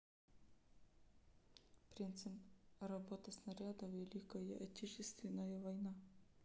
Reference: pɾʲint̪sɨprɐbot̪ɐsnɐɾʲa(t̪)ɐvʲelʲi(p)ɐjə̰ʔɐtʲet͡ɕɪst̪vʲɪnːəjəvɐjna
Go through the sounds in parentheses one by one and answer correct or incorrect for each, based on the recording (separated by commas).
incorrect, incorrect